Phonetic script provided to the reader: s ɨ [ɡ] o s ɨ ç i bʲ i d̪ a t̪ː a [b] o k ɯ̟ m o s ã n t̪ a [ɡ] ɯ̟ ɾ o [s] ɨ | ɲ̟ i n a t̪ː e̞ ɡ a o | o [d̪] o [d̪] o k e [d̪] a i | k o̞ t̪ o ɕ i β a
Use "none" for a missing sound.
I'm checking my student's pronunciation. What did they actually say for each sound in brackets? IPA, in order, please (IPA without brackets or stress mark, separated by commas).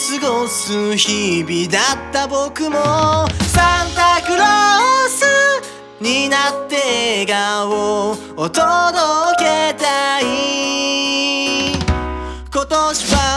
ɡ, b, k, s, t̪, d̪, t̪